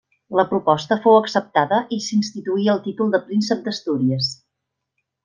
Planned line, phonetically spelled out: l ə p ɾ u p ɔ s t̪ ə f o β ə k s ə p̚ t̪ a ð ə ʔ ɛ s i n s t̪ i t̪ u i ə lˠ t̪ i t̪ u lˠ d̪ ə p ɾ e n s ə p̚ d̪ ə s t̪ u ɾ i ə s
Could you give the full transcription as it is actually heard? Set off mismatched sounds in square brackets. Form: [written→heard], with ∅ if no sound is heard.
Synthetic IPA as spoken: l ə p ɾ u p ɔ s t̪ ə f o [β→w] ə k s ə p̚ t̪ a ð ə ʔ [ɛ→i] s i n s t̪ i t̪ u i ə lˠ t̪ i t̪ u lˠ d̪ ə p ɾ [e→i] n s ə p̚ d̪ ə s t̪ u ɾ i ə s